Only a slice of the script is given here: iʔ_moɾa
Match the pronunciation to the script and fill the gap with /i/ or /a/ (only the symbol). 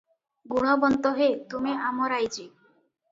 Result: a